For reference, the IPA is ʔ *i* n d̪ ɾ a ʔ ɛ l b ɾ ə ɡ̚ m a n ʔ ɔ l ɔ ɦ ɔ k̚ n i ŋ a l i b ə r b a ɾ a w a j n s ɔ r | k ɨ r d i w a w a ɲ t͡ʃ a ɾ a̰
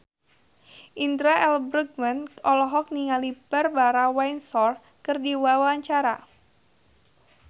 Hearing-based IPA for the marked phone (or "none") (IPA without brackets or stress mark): i